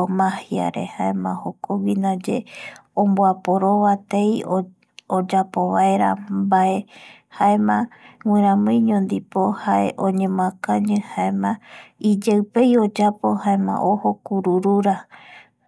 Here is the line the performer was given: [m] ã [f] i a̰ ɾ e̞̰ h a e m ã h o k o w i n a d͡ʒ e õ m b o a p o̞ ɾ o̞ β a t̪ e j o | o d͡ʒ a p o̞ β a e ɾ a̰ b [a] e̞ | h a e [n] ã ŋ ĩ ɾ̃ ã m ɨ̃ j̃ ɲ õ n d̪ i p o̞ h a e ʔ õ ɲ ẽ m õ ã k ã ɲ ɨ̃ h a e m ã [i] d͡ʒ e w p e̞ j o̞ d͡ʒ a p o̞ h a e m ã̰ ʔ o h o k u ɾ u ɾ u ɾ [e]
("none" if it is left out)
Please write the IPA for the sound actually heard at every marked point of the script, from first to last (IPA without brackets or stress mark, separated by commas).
m, h, a, m, i, a